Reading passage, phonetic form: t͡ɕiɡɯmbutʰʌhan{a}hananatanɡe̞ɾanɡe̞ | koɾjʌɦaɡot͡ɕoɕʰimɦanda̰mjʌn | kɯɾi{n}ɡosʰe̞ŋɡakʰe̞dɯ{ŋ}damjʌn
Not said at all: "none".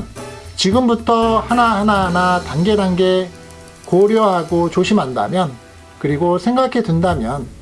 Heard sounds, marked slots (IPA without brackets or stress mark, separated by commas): a, none, n